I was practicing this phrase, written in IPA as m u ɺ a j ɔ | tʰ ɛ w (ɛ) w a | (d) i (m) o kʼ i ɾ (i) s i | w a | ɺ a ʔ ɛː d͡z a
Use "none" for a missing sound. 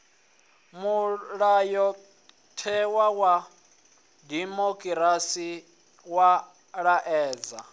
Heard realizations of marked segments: a, d, m, a

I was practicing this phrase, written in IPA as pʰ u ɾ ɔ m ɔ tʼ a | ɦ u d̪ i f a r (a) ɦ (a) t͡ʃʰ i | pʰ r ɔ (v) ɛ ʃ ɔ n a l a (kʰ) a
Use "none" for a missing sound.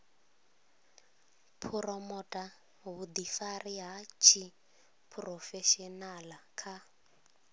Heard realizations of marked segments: i, a, f, kʰ

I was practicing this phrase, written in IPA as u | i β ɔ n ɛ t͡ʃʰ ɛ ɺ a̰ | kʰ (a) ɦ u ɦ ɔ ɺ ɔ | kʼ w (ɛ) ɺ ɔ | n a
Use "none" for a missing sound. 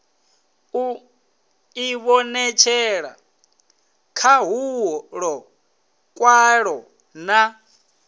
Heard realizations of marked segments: a, a

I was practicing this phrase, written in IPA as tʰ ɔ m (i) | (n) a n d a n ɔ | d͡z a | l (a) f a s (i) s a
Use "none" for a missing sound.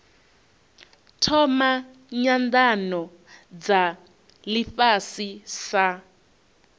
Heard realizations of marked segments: a, ɲ, i, i

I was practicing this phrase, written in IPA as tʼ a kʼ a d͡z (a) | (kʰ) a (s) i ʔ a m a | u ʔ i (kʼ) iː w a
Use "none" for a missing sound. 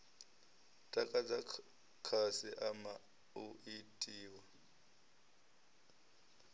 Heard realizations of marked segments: a, kʰ, s, tʼ

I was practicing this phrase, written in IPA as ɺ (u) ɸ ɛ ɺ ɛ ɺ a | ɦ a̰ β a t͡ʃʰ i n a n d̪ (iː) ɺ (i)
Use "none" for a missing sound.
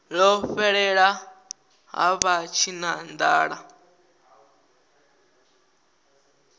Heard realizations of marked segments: ɔ, aː, a

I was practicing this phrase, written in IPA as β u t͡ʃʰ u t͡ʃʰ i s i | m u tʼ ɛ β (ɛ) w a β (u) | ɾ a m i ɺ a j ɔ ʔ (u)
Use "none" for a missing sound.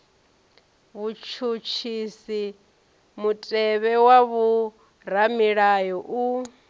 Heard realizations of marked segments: ɛ, u, u

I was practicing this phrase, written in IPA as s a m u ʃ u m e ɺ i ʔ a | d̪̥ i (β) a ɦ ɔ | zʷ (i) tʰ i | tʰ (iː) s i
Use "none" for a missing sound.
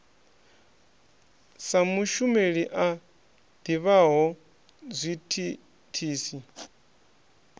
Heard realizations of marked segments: β, i, iː

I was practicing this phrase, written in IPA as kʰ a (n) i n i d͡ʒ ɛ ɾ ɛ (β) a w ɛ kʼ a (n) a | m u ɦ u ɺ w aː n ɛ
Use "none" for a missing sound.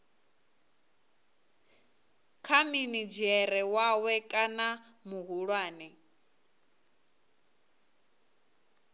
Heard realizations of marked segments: m, w, n

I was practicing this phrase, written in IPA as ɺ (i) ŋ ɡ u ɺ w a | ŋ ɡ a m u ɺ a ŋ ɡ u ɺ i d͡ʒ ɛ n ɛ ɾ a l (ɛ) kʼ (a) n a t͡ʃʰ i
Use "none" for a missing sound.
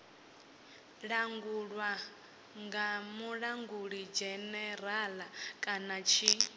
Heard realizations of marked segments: a, a, a

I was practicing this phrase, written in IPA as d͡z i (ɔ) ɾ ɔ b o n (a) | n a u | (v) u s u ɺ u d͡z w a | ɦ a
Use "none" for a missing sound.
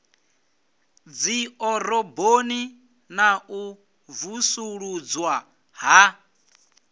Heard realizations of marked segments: ɔ, i, v

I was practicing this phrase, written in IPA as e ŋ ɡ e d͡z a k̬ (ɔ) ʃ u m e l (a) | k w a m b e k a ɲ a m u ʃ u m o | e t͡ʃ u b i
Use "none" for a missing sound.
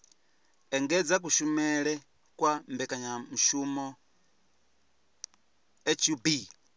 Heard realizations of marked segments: u, e

